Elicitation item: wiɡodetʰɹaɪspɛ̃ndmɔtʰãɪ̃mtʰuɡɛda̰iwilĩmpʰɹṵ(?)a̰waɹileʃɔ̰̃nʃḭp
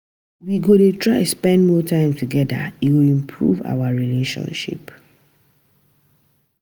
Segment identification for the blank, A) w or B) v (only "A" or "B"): B